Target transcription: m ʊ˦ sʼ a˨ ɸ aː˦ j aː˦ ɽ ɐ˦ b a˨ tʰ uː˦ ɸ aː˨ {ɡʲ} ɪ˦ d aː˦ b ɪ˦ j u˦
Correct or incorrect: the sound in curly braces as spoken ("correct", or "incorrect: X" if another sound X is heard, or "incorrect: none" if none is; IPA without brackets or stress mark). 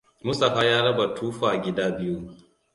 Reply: correct